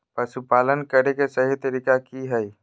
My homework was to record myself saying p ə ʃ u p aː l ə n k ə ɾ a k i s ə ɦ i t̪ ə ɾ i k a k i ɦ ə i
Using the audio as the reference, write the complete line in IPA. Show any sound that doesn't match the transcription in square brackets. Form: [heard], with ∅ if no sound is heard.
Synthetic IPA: p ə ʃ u p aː l ə n k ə ɾ [e] k [e] s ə ɦ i t̪ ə ɾ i k a k i ɦ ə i